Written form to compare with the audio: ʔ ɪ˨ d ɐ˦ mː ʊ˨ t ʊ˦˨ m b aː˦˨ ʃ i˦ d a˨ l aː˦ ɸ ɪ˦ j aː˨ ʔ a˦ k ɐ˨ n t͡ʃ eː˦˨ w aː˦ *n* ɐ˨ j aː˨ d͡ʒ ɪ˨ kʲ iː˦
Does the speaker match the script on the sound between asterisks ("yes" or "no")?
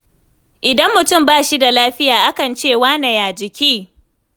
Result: yes